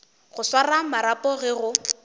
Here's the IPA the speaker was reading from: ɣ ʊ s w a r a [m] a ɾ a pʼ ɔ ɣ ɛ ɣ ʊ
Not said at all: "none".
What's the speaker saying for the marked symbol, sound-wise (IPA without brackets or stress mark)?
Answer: m